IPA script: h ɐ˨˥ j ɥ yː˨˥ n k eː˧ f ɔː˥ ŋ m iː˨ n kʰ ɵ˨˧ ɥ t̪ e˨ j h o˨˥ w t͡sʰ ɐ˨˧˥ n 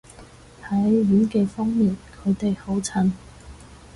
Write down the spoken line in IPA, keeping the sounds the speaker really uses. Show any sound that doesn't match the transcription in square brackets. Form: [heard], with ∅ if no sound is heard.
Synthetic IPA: h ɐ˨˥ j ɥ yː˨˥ n k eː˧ f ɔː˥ ŋ m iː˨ n kʰ ɵ˨˧ ɥ t̪ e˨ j h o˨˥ w t͡sʰ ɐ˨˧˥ n